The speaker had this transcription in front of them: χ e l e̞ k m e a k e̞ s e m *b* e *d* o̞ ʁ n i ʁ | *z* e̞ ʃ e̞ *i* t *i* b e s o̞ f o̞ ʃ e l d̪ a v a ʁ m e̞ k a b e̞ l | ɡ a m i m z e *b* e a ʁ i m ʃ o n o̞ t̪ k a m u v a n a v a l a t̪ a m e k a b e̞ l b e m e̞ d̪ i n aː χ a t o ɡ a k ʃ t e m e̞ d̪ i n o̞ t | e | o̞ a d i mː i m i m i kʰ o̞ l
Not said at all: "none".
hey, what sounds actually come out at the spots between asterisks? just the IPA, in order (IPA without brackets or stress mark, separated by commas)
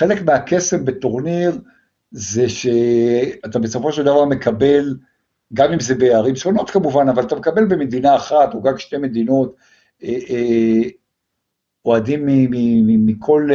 b, t, z, a, a, b